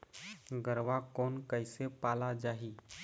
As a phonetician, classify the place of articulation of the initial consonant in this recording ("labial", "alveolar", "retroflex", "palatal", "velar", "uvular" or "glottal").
velar